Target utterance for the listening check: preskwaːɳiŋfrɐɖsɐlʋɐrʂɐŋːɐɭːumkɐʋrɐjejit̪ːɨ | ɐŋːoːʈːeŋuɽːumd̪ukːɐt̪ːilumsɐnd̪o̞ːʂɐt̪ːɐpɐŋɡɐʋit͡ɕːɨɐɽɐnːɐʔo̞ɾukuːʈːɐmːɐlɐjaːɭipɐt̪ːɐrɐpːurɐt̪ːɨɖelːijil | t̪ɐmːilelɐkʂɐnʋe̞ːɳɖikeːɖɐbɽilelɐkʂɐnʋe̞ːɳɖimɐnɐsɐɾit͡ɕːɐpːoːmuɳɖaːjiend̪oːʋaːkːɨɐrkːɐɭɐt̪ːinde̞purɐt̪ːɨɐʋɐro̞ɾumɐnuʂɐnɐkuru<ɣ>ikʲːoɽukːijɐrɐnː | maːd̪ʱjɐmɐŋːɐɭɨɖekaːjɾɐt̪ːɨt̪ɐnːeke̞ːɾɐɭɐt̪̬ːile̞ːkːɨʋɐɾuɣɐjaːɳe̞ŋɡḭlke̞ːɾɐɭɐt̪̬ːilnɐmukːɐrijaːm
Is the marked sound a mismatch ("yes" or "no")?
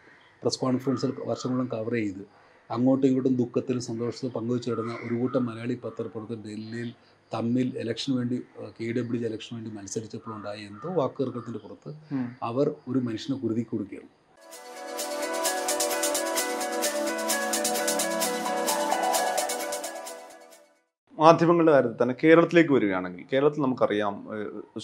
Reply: yes